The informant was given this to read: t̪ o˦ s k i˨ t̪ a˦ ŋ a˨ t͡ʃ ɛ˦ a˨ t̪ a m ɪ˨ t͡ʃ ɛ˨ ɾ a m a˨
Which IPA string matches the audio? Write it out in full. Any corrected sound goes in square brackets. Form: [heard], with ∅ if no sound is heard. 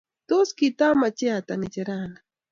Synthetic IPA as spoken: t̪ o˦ s k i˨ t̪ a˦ [m] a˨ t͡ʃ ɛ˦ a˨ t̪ a [n] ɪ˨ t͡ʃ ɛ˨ ɾ a [n] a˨